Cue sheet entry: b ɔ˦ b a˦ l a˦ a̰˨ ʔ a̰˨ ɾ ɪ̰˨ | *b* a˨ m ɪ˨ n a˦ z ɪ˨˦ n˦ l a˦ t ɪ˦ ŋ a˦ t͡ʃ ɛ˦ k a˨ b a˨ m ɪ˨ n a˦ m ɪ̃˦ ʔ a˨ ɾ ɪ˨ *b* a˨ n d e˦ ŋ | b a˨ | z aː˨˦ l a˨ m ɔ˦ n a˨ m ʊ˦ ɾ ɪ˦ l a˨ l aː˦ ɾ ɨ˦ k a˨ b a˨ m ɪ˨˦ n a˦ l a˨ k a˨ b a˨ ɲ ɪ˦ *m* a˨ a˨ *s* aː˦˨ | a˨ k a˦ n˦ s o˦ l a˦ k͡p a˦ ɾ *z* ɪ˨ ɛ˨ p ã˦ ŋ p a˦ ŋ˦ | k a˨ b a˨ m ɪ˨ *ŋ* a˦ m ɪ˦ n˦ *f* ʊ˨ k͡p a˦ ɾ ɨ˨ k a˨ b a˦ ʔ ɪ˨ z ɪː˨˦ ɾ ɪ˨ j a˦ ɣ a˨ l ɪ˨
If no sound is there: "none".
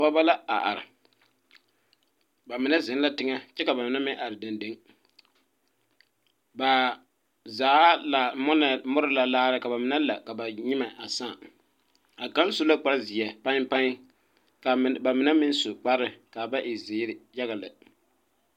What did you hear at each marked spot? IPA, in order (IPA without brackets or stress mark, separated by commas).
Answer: b, d, m, s, z, n, s